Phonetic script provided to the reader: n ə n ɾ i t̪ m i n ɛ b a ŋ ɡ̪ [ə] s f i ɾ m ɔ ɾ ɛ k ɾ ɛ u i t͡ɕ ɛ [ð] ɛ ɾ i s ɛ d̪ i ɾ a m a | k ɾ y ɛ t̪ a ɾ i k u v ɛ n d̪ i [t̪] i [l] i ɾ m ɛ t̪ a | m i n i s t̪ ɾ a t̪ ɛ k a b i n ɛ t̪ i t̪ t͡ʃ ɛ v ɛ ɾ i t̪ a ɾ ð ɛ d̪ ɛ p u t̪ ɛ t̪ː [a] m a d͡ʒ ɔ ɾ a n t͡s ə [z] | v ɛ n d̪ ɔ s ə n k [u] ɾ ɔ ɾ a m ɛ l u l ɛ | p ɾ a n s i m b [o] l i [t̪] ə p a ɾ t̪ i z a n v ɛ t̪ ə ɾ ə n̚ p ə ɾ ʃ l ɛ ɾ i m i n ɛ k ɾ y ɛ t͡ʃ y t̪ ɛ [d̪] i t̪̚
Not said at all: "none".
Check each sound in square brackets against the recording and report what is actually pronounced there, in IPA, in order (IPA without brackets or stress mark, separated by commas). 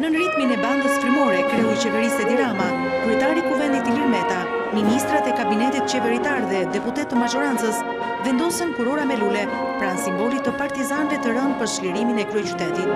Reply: ə, v, t̪, l, ə, s, u, ɔ, t̪, t̪